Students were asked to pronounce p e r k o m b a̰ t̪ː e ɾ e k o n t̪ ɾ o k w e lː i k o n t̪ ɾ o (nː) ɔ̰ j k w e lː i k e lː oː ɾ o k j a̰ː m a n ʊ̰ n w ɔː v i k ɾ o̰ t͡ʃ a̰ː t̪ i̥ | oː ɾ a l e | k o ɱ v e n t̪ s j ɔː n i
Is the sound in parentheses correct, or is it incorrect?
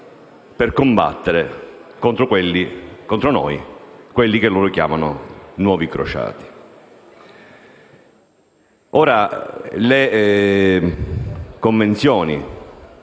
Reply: incorrect: n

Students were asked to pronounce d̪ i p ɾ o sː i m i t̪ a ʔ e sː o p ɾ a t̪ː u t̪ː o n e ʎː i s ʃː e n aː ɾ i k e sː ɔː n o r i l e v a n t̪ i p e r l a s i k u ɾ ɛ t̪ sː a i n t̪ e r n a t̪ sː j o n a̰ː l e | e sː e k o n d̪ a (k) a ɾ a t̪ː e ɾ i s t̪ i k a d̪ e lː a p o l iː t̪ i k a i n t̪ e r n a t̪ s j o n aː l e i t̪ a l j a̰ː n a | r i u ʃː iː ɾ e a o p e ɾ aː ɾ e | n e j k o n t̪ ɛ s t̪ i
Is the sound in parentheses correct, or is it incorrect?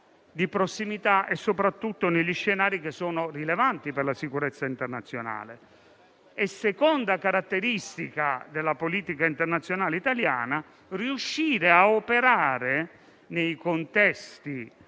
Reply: correct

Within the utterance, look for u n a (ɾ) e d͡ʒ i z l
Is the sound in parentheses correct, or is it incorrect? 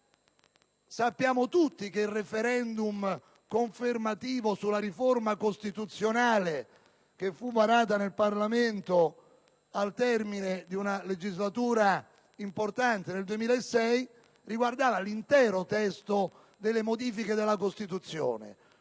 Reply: incorrect: l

